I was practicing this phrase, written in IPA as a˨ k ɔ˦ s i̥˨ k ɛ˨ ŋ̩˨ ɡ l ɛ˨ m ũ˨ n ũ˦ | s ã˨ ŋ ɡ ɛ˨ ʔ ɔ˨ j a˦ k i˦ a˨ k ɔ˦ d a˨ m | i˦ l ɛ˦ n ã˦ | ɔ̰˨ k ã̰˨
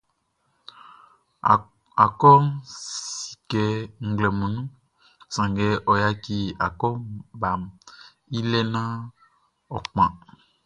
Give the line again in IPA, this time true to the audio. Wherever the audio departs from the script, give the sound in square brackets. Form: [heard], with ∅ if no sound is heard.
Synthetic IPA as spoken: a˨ k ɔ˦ s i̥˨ k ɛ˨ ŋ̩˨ ɡ l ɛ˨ m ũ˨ n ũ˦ | s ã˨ ŋ ɡ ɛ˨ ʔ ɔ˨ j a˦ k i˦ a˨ k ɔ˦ [b] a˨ m | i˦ l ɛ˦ n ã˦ | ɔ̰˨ [k͡p] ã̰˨